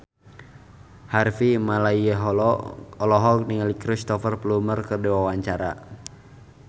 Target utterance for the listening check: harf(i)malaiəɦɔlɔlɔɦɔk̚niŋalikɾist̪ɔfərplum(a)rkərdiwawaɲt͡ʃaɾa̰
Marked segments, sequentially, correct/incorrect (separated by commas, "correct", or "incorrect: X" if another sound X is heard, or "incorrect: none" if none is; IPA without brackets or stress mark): correct, incorrect: ə